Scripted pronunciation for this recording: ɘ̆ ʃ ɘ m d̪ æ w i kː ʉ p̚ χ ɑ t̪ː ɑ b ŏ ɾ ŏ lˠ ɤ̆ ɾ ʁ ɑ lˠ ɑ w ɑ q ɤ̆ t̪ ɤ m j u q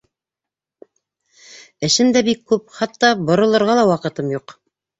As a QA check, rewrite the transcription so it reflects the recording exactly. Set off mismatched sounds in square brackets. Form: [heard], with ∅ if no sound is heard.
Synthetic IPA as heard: ɘ̆ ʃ ɘ m d̪ æ [b] i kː ʉ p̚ χ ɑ t̪ː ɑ b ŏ ɾ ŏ lˠ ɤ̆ ɾ ʁ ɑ lˠ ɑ w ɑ q ɤ̆ t̪ ɤ m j u q